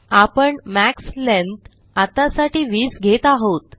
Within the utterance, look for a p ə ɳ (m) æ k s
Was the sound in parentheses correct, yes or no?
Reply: yes